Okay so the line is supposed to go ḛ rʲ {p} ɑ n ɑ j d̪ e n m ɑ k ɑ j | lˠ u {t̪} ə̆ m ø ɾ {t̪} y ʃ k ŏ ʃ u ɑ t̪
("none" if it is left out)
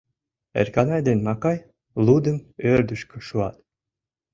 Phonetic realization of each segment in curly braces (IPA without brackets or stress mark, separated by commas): k, d̪, d̪